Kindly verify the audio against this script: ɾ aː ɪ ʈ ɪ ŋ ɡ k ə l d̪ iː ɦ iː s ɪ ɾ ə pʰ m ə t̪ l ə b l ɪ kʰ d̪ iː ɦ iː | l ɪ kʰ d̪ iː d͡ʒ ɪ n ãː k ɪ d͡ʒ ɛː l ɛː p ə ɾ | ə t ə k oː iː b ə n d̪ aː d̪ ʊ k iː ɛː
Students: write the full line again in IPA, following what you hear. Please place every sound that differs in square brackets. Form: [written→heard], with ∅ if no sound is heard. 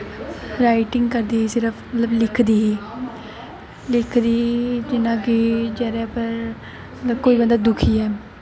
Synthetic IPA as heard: ɾ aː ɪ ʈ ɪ ŋ ɡ k ə [l→ɾ] d̪ iː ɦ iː s ɪ ɾ ə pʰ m ə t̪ l ə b l ɪ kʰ d̪ iː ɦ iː | l ɪ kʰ d̪ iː d͡ʒ ɪ n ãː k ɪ d͡ʒ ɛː [l→ɾ] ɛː p ə ɾ | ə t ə k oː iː b ə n d̪ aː d̪ ʊ [k→kʰ] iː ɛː